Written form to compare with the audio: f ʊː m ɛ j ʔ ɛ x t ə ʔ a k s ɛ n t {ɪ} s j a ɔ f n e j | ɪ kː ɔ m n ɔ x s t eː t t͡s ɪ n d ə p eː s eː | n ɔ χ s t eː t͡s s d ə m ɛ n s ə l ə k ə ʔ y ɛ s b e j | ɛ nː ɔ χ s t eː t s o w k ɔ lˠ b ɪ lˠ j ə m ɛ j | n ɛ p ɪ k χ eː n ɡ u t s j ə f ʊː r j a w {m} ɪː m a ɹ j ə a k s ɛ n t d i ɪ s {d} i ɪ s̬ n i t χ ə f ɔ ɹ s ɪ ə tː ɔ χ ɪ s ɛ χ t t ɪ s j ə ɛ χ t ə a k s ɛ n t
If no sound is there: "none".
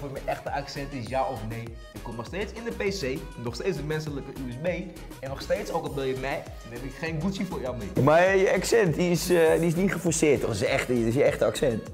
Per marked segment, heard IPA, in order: ɪ, m, d

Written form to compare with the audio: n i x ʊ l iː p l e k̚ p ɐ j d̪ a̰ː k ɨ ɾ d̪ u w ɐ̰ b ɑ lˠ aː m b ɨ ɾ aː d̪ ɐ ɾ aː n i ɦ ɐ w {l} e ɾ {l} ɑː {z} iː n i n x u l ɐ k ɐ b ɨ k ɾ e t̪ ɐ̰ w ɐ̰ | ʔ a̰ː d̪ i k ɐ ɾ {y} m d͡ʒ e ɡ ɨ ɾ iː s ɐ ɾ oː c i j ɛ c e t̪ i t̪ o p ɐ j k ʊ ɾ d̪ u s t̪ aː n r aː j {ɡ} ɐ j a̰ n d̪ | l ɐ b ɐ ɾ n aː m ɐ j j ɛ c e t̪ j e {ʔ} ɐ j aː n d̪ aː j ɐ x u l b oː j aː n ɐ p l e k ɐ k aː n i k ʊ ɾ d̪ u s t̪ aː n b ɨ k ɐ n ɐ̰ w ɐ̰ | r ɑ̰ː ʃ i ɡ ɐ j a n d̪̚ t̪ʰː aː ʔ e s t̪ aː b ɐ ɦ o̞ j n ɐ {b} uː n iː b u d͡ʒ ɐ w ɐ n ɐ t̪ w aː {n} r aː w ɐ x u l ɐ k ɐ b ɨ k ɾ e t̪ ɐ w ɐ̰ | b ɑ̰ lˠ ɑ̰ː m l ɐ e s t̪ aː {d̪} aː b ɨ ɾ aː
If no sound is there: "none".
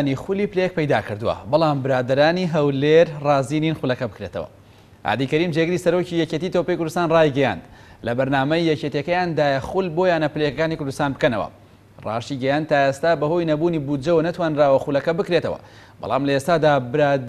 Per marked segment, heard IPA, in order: l, r, z, i, ɡ, k, b, n, d̪

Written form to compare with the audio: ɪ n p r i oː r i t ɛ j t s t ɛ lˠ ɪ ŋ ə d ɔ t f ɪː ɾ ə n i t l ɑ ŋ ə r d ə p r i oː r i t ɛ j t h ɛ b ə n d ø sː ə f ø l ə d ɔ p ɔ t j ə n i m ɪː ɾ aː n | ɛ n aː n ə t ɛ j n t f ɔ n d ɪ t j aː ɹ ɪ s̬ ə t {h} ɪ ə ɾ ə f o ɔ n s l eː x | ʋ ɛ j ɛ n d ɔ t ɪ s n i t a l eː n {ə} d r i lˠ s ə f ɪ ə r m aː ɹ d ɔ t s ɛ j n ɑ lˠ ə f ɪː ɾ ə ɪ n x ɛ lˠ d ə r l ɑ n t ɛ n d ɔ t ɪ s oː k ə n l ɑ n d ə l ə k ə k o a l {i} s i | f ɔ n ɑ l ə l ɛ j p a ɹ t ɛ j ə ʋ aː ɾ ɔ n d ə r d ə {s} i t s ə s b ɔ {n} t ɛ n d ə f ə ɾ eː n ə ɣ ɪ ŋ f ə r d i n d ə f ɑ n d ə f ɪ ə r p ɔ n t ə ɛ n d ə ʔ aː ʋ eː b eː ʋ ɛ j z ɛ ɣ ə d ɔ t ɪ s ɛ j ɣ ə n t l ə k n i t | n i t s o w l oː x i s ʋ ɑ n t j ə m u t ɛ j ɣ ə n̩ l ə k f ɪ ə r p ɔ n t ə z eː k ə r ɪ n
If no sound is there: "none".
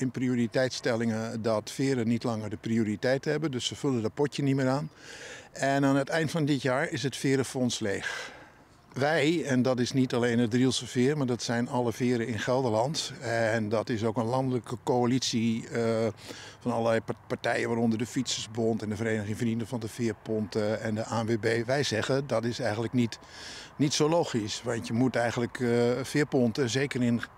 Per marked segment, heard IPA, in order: f, ə, i, f, n

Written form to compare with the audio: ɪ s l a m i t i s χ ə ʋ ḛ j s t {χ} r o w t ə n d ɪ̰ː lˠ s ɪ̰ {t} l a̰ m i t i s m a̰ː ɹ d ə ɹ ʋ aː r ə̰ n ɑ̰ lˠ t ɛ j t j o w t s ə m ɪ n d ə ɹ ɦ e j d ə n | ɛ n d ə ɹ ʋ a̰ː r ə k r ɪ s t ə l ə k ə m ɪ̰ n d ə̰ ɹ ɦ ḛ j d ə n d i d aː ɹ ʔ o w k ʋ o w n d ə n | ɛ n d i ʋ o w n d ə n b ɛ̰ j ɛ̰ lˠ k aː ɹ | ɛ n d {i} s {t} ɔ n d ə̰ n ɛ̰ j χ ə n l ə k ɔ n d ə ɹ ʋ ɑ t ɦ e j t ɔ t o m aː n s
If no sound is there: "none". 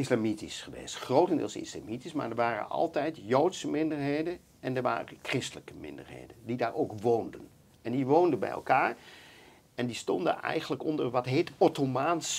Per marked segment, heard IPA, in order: χ, s, i, t

